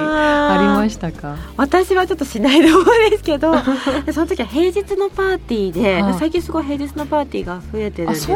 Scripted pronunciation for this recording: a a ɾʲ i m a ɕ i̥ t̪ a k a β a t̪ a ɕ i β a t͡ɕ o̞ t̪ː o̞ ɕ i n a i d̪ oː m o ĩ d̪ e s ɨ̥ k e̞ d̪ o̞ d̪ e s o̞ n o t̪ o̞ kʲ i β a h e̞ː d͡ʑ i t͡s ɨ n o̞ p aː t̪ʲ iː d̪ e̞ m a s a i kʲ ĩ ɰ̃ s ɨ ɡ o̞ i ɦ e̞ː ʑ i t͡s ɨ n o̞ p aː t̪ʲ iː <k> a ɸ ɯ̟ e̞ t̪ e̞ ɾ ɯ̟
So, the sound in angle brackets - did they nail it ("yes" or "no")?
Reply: no